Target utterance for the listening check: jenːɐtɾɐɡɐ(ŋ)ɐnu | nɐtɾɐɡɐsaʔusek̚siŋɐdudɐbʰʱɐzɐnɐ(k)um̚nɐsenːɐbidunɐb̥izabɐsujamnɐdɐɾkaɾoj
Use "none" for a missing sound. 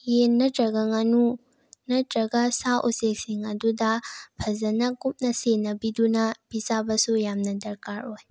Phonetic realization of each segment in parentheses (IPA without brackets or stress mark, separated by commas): ŋ, k